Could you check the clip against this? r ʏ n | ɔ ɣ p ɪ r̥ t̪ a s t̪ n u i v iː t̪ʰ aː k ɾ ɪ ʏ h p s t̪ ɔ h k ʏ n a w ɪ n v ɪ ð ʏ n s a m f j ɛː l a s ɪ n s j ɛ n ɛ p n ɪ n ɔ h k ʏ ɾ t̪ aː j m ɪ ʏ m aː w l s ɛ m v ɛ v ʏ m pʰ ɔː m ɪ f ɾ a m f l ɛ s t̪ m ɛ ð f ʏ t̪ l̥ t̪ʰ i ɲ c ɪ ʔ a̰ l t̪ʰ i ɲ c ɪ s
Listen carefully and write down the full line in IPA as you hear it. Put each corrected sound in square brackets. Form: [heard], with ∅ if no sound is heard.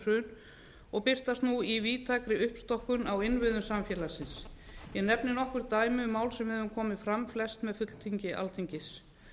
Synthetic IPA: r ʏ n | ɔ ɣ p ɪ r̥ t̪ a s t̪ n u i v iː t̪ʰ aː k ɾ ɪ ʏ h p s t̪ ɔ h k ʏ n a w ɪ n v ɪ ð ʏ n s a m f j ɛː l a s ɪ n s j ɛ n ɛ p n ɪ n ɔ h k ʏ ɾ t̪ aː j m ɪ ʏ m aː w l s ɛ m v ɛ v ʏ m [kʰ] ɔː m ɪ f ɾ a m f l ɛ s t̪ m ɛ ð f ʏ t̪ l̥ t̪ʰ i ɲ c ɪ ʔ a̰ l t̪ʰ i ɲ c ɪ s